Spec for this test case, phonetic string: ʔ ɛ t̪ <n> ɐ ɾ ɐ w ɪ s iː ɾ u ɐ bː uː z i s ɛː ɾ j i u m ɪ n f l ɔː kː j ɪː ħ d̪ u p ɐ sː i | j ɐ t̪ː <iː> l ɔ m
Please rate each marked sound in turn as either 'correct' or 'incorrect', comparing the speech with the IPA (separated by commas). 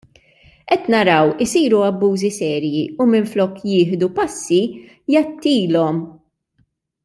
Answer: correct, correct